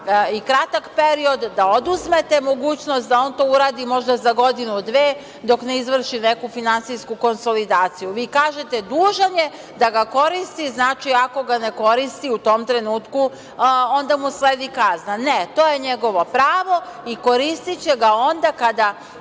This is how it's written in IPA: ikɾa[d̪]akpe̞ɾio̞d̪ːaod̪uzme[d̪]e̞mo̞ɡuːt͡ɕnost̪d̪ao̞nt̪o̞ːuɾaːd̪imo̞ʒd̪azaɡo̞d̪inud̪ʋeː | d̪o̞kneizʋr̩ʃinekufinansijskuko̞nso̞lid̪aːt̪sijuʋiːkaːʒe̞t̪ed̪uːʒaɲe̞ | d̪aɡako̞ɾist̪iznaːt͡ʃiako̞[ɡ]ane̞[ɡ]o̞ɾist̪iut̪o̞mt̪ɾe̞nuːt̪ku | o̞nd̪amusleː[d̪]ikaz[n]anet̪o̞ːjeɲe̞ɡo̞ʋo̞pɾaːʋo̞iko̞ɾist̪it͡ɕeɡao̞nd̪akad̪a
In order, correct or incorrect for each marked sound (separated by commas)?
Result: incorrect, incorrect, correct, incorrect, correct, correct